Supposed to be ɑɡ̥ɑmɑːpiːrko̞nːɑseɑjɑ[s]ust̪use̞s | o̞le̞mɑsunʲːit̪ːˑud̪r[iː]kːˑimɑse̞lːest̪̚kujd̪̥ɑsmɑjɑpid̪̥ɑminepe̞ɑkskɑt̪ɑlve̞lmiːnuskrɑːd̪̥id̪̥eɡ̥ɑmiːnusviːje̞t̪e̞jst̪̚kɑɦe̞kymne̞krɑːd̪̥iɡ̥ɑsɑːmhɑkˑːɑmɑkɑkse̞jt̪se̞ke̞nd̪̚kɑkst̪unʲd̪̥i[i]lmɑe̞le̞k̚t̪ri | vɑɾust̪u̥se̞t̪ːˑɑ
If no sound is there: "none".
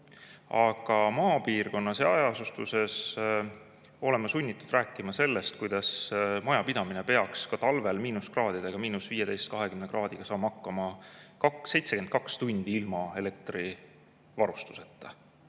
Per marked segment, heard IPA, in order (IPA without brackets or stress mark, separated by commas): s, æː, i